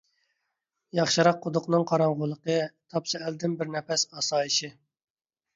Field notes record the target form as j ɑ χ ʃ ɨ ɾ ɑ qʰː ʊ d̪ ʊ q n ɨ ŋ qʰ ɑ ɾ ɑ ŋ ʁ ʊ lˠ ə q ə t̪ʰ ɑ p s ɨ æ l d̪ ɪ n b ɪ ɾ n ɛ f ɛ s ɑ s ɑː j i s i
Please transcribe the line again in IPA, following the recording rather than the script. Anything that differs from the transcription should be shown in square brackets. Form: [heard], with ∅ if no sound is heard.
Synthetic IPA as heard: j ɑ χ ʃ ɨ ɾ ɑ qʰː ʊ d̪ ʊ q n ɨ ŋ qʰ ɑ ɾ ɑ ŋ ʁ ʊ lˠ ə q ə t̪ʰ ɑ p s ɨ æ l d̪ ɪ n b ɪ ɾ n ɛ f ɛ s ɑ s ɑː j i [ʃ] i